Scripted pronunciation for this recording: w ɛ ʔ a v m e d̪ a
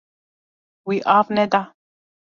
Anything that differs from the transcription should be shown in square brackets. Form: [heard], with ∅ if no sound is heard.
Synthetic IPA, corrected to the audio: w [i] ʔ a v [n] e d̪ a